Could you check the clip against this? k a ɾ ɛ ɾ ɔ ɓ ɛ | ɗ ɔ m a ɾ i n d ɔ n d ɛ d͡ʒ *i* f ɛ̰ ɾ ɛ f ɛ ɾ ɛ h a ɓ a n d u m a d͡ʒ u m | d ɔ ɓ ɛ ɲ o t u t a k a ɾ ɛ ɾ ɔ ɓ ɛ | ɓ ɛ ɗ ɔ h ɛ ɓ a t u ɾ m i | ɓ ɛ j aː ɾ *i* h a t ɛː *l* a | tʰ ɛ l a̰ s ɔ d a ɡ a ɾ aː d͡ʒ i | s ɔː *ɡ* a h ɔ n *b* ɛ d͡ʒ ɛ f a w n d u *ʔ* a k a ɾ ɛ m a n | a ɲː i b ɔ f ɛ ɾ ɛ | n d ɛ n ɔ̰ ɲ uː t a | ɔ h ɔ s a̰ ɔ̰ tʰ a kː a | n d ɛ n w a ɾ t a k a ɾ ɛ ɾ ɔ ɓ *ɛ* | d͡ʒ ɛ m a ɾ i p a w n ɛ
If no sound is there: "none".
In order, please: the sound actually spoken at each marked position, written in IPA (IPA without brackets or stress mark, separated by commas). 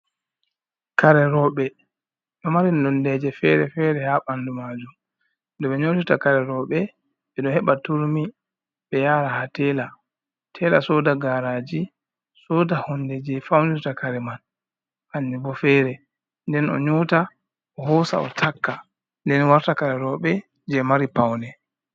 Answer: ɛ, a, l, d, d, t, ɛ